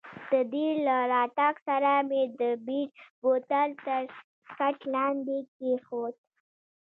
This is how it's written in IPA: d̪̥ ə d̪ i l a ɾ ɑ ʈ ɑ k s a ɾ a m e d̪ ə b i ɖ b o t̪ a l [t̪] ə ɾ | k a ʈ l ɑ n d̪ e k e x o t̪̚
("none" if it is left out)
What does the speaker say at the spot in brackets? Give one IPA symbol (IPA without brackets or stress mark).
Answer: t̪